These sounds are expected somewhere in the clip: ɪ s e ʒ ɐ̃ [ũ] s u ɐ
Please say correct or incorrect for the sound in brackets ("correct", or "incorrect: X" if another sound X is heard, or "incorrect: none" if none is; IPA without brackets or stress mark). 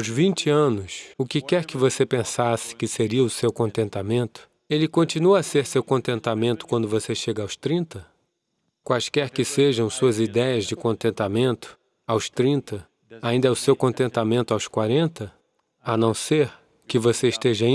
incorrect: w̃